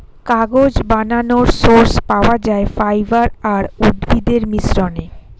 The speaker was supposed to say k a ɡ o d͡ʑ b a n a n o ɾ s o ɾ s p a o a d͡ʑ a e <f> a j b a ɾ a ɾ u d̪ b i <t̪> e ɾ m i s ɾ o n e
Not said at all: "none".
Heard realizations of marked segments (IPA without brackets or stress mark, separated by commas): f, d̪